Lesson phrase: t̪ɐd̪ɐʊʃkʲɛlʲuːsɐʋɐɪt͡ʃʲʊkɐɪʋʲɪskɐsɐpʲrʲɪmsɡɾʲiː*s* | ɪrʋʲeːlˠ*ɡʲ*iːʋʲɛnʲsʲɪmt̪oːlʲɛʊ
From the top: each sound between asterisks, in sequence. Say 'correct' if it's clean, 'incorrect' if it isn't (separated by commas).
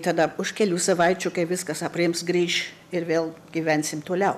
incorrect, correct